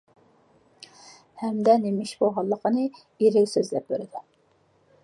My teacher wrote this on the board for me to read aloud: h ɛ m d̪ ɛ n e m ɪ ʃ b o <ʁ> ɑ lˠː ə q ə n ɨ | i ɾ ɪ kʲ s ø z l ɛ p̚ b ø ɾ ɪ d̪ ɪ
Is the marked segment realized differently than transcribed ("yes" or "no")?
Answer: no